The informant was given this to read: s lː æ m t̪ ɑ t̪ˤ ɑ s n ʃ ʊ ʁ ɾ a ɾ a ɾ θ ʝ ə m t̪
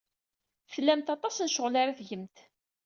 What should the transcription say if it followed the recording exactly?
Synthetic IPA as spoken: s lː æ m t̪ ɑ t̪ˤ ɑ s n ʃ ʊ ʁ l a ɾ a θ ʝ ə m t̪